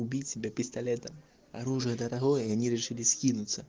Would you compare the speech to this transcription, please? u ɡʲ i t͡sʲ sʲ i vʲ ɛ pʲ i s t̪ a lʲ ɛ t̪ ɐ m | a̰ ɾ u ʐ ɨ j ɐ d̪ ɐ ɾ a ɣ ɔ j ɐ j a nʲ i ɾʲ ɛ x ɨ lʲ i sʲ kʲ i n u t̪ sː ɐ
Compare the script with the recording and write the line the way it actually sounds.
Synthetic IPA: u bʲ i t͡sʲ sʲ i bʲ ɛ pʲ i s t̪ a lʲ ɛ t̪ ɐ m | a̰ ɾ u ʐ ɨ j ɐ d̪ ɐ ɾ a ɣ ɔ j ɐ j a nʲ i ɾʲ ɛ ʂ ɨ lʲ i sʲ kʲ i n u t̪ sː ɐ